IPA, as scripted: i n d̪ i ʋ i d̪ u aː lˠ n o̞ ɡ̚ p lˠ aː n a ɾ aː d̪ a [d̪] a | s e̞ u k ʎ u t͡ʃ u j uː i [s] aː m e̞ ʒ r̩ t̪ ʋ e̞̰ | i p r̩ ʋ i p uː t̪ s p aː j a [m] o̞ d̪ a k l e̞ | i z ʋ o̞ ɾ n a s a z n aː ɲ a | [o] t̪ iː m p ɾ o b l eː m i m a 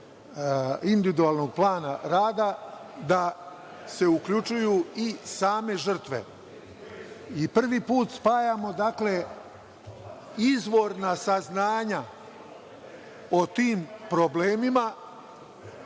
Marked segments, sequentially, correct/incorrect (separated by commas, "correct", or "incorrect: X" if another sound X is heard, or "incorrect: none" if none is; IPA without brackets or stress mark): correct, correct, correct, correct